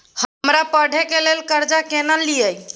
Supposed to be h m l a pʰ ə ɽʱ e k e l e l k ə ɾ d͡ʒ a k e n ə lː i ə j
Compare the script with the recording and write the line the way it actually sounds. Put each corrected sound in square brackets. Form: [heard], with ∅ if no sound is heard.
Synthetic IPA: h m [ɾ] a [p] ə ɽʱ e k e l e l k ə ɾ d͡ʒ a k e n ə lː i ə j